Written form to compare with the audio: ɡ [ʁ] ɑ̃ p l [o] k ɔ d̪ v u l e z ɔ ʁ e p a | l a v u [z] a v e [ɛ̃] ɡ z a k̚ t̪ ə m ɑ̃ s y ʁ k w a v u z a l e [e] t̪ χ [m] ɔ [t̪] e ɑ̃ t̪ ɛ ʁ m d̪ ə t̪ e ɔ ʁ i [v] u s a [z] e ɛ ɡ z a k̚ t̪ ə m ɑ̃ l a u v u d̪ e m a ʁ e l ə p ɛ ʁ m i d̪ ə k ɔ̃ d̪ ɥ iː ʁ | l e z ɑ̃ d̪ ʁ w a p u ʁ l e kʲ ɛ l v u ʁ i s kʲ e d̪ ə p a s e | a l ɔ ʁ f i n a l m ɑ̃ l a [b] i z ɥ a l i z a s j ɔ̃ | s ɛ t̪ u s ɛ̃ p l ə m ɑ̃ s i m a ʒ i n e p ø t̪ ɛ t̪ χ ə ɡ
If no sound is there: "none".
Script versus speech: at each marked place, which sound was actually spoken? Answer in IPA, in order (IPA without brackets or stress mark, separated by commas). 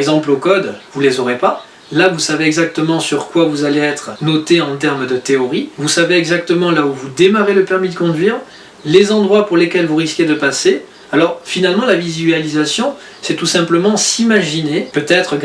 z, o, s, ɛ, ɛ, n, t̪, v, v, v